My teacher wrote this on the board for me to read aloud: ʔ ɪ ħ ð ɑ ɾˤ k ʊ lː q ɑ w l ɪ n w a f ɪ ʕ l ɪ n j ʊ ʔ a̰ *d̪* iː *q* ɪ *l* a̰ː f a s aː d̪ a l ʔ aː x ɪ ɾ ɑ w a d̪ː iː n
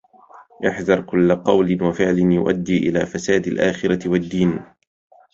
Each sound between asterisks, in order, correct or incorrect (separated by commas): incorrect, incorrect, correct